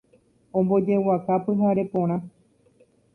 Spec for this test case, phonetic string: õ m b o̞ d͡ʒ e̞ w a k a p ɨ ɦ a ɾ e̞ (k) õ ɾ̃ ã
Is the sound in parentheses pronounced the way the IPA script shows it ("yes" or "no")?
no